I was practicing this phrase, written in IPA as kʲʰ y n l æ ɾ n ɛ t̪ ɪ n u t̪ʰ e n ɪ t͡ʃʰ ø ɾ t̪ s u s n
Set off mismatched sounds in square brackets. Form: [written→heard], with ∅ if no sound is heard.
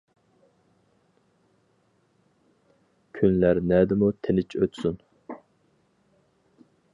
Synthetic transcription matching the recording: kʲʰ y n l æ ɾ n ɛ [t̪→d̪] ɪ [n→m] u t̪ʰ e n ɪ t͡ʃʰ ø [ɾ→∅] t̪ s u [s→∅] n